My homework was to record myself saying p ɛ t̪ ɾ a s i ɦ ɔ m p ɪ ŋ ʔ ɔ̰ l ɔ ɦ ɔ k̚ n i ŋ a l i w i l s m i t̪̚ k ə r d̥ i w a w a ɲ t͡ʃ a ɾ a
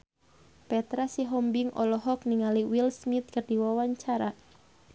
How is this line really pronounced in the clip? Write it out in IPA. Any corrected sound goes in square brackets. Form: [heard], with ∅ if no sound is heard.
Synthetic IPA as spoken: p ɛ t̪ ɾ a s i ɦ ɔ m [b] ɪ ŋ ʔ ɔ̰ l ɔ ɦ ɔ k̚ n i ŋ a l i w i l s m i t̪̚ k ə r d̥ i w a w a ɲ t͡ʃ a ɾ a